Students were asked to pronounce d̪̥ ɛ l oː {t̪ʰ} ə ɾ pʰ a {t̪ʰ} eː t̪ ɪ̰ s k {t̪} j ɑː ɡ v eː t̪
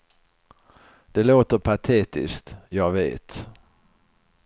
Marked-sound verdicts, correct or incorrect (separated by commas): incorrect, correct, correct